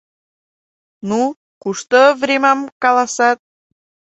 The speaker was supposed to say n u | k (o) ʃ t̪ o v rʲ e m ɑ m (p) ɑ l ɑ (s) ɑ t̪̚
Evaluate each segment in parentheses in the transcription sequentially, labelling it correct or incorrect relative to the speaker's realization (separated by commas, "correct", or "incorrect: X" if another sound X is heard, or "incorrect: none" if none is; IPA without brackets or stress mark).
incorrect: u, incorrect: k, correct